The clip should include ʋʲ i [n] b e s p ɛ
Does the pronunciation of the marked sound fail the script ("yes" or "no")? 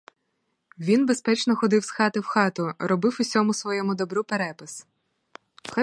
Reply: no